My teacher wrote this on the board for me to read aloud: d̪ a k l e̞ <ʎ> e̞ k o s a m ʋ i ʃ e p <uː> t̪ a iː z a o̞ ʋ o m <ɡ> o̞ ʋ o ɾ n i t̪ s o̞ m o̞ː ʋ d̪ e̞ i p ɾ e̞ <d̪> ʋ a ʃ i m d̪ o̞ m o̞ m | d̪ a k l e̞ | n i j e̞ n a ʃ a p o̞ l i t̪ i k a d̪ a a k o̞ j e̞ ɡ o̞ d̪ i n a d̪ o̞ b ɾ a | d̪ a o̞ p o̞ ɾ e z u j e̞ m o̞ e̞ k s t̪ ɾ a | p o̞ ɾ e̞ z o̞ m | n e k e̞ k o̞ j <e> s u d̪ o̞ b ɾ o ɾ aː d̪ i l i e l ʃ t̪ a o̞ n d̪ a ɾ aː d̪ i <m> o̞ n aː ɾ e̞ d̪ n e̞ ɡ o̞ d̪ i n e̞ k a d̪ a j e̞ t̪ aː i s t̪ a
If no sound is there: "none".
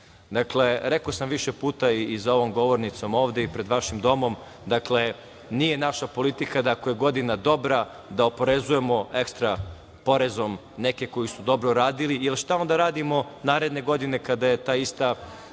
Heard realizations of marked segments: ɾ, uː, ɡ, d̪, i, m

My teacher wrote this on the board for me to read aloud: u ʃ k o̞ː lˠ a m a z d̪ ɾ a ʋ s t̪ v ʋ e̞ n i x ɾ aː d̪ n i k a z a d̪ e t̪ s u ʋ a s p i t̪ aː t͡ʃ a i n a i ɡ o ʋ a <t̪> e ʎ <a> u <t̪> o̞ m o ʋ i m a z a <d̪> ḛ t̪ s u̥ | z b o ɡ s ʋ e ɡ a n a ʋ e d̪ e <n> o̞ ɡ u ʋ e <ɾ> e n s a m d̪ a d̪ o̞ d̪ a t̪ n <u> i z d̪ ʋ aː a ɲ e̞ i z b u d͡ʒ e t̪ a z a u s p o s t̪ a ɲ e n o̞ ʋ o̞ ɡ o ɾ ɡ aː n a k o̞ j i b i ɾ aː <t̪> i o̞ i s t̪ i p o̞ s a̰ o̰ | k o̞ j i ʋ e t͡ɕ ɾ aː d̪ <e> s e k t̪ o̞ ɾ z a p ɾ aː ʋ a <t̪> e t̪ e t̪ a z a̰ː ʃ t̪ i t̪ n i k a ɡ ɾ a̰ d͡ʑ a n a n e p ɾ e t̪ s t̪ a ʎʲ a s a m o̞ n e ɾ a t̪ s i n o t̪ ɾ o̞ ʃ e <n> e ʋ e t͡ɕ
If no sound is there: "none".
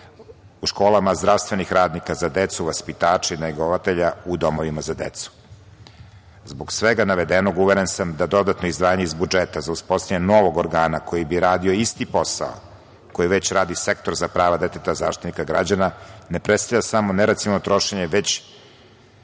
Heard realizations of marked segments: t̪, a, d̪, d̪, n, ɾ, o, d̪, i, d̪, ɲ

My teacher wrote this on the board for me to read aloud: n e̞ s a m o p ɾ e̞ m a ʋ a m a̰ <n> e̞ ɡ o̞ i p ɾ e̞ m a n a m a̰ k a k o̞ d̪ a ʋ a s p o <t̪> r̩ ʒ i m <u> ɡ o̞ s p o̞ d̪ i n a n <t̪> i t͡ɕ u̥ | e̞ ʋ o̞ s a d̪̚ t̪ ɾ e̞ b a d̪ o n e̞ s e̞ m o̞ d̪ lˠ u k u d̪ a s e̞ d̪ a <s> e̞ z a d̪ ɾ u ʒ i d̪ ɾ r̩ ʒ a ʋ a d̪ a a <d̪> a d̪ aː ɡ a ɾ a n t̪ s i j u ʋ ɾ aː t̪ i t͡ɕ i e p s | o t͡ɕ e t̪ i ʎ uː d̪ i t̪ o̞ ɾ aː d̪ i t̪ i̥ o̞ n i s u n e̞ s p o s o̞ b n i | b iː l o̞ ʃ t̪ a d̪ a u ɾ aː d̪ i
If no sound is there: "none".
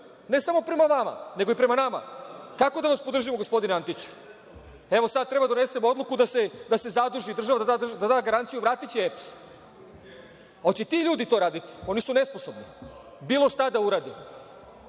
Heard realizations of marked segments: n, d̪, o, t̪, s, d̪

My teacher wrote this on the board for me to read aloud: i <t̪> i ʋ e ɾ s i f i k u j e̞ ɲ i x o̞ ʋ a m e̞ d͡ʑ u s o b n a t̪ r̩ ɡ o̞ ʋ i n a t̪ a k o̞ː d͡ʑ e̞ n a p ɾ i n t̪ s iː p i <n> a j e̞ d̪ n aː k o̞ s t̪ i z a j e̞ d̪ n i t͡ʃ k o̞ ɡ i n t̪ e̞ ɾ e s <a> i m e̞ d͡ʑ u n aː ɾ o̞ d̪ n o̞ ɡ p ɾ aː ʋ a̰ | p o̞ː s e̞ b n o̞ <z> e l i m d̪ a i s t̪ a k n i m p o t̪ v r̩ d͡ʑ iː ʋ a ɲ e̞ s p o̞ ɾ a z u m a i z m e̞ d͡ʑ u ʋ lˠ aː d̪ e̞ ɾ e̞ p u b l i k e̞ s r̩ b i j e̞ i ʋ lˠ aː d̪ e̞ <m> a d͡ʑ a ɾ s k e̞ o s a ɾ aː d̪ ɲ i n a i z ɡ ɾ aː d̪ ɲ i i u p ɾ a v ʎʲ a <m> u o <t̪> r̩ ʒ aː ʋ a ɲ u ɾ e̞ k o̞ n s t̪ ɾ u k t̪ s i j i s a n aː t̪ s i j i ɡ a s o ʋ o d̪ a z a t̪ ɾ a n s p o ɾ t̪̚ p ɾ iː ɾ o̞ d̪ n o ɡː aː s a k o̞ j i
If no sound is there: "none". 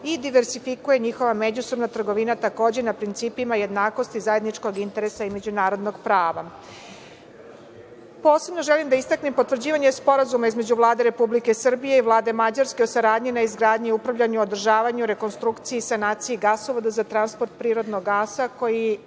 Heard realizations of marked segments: d̪, m, a, ʒ, m, ɲ, d̪

